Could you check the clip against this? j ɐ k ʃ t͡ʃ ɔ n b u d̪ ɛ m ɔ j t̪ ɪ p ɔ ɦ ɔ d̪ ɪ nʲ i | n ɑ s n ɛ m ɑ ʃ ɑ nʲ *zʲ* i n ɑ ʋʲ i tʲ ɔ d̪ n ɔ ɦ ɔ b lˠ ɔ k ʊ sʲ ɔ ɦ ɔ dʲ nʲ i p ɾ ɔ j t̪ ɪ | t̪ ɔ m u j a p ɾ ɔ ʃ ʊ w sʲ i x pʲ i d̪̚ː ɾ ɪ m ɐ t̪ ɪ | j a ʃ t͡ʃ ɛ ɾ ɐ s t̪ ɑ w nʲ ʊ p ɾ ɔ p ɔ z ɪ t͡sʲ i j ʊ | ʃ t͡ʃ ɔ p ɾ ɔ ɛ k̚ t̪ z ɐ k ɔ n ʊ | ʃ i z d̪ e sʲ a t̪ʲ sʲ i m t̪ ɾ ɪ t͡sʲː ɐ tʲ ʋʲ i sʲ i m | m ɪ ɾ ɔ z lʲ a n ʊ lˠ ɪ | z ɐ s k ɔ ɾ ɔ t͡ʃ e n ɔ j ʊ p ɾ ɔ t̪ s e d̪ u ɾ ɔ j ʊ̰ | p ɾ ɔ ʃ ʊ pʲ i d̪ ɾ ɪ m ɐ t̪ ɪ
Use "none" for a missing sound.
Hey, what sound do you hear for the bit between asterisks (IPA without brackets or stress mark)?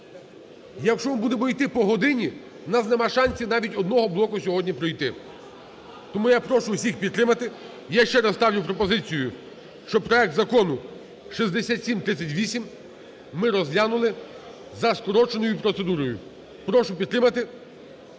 sʲ